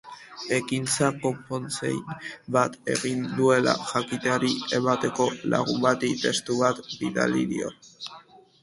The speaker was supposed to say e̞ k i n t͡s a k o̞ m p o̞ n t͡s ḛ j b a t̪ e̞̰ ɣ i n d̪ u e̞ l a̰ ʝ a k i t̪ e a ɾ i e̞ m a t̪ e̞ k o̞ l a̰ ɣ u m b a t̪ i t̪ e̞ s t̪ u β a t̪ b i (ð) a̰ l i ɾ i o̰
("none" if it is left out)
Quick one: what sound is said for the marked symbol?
ð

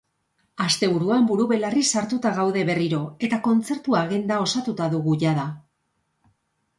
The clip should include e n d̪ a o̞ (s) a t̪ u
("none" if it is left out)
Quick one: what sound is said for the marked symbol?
s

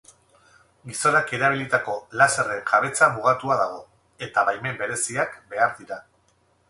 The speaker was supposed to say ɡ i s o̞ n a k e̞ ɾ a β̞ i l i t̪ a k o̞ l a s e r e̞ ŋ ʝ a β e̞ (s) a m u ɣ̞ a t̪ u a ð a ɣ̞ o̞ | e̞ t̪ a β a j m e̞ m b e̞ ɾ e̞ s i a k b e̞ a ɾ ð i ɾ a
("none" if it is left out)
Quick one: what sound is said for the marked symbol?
t͡s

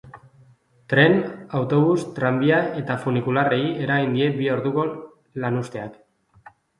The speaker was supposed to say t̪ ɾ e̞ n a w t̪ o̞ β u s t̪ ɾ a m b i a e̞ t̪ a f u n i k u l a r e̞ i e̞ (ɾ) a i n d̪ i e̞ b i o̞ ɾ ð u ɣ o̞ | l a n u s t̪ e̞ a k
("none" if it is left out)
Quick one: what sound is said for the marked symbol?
ɾ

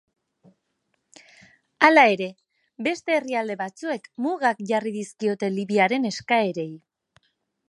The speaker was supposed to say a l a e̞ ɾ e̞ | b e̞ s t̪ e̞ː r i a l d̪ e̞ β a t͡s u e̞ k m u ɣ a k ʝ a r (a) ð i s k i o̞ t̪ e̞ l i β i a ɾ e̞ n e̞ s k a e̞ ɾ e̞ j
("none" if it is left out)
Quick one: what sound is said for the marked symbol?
i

